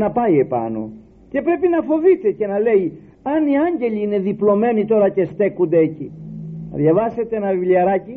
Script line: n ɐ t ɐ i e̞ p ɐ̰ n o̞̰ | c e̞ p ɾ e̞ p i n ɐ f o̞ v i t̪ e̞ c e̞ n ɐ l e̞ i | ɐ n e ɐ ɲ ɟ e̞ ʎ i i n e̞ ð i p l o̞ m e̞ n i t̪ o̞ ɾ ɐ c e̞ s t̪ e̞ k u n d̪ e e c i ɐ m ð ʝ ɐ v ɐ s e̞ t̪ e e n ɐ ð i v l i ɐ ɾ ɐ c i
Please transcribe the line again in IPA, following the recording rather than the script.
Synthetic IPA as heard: n ɐ p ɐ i e̞ p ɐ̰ n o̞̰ | c e̞ p ɾ e̞ p i n ɐ f o̞ v i t̪ e̞ c e̞ n ɐ l e̞ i | ɐ n i ɐ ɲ ɟ e̞ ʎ i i n e̞ ð i p l o̞ m e̞ n i t̪ o̞ ɾ ɐ c e̞ s t̪ e̞ k u n d̪ e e c i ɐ ð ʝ ɐ v ɐ s e̞ t̪ e e n ɐ v i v l i ɐ ɾ ɐ c i